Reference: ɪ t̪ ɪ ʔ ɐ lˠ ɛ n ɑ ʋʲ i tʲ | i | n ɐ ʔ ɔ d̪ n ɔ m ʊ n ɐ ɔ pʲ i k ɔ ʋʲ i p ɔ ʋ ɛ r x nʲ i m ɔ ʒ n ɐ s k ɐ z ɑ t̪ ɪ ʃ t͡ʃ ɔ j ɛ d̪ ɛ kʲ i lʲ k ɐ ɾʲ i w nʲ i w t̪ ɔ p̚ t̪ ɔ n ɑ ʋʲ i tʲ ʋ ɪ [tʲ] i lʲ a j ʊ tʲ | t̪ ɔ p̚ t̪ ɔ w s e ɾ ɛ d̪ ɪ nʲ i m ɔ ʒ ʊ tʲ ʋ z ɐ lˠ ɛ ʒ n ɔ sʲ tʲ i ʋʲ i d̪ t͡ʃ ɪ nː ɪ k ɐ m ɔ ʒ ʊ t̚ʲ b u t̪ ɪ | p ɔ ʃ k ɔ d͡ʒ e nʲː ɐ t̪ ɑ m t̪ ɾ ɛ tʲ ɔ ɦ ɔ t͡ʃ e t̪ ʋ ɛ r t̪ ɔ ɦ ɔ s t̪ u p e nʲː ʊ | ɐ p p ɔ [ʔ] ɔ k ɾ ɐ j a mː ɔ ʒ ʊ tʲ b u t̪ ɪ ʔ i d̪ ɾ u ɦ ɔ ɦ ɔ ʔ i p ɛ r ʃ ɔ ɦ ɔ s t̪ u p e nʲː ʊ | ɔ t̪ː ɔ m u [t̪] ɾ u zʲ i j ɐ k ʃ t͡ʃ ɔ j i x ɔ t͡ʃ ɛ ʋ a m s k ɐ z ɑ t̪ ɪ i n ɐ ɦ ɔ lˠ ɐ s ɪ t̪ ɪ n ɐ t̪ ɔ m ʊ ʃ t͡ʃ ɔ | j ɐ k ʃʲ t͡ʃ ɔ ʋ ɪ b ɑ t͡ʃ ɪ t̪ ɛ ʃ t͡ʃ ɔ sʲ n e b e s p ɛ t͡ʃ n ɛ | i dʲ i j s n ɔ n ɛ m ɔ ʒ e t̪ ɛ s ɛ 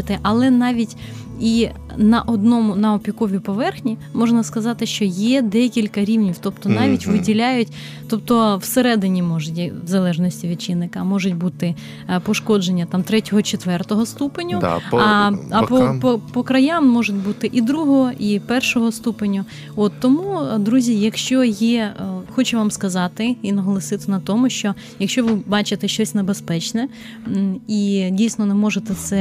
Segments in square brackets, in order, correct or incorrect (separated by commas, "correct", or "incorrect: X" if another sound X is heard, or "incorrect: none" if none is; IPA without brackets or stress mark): incorrect: dʲ, incorrect: p, incorrect: d̪